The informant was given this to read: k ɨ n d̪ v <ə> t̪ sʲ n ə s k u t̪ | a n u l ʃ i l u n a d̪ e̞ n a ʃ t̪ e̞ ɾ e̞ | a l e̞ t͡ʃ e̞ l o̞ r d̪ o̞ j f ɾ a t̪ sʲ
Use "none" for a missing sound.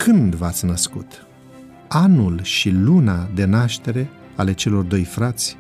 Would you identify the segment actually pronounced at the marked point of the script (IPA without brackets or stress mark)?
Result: a